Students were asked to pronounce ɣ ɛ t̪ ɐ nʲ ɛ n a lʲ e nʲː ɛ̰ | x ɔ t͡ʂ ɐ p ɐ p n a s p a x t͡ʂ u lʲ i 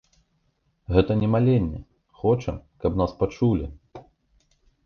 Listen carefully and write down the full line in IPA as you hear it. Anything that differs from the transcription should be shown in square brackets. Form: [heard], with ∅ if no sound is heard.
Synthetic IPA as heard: ɣ ɛ t̪ ɐ nʲ ɛ [m] a lʲ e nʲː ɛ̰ | x ɔ t͡ʂ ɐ [k] ɐ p n a s p a [∅] t͡ʂ u lʲ i